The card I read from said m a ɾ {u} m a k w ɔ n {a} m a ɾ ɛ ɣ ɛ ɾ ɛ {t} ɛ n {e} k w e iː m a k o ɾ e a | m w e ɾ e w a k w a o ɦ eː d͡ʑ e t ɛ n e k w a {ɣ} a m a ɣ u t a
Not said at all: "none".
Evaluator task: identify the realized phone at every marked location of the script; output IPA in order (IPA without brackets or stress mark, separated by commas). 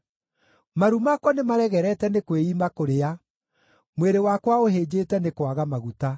u, e, t, e, ɣ